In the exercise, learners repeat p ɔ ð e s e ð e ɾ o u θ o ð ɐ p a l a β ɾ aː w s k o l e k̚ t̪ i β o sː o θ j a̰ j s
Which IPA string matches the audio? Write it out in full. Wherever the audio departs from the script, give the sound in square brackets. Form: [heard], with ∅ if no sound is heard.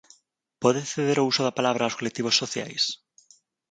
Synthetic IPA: p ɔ ð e [θ] e ð e ɾ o u [s] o ð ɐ p a l a β ɾ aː w s k o l e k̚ t̪ i β o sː o θ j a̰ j s